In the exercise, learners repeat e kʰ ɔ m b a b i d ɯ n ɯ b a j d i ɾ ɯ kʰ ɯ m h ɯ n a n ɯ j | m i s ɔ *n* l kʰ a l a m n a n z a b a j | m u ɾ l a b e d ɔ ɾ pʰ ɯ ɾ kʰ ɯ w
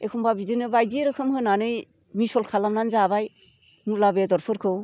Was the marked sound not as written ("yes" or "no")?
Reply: yes